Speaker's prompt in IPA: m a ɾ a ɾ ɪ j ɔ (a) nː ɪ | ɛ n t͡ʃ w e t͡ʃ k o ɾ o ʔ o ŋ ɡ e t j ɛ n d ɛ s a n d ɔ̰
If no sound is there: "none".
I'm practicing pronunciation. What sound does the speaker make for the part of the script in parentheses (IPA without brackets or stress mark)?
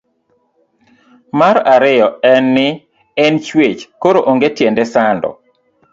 ɛ